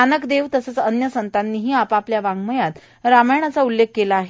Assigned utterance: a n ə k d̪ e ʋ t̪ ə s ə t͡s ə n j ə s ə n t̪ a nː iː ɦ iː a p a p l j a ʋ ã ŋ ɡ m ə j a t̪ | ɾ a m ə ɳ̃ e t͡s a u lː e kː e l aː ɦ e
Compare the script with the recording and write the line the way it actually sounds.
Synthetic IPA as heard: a n ə k d̪ e ʋ t̪ ə s ə t͡s ə n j ə s ə n t̪ a nː iː ɦ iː a p a p l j a ʋ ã ŋ ɡ m ə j a t̪ | ɾ a m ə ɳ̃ a t͡s a u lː e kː e l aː ɦ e